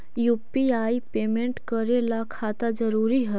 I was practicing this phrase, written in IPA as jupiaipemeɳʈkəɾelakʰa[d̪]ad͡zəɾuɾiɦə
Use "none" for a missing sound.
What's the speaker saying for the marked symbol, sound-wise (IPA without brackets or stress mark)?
t̪